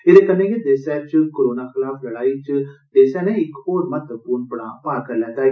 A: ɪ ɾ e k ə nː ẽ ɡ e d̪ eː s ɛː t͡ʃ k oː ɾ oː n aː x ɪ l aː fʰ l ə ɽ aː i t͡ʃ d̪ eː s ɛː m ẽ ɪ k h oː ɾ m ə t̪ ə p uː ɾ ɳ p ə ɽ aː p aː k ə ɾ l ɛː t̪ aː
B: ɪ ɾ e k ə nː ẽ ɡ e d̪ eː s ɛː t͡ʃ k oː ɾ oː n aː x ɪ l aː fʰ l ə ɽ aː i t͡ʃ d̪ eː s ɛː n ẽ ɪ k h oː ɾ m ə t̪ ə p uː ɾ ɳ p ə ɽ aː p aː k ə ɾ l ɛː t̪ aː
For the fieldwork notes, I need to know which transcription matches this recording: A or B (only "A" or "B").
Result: B